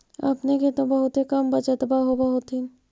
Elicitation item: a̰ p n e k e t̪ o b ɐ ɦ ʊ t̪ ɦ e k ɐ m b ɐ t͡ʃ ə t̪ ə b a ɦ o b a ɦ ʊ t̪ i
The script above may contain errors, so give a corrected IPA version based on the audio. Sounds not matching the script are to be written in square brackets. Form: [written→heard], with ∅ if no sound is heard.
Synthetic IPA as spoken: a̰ p n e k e t̪ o b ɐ ɦ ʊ t̪ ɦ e k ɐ m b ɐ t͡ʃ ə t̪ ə b a ɦ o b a ɦ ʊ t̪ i